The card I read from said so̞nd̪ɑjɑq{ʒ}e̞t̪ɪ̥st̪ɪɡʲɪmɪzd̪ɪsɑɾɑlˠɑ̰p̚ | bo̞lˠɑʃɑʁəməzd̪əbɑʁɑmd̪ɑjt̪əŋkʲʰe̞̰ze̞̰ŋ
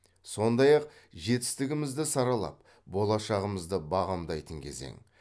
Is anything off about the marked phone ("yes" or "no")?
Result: no